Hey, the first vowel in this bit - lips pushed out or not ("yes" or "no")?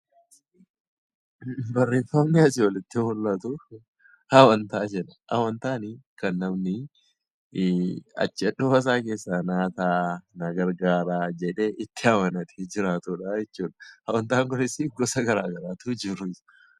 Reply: no